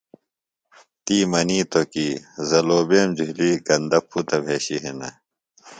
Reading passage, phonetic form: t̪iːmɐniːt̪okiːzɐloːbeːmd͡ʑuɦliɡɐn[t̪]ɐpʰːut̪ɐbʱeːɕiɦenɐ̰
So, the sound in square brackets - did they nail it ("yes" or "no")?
no